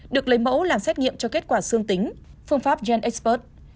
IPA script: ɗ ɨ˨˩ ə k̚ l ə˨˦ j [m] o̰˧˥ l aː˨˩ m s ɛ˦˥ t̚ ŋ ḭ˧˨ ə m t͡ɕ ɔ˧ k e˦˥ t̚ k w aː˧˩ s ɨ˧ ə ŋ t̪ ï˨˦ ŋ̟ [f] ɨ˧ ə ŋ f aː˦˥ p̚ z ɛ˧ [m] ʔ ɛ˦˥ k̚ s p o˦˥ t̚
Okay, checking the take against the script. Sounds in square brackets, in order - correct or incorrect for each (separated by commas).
correct, correct, incorrect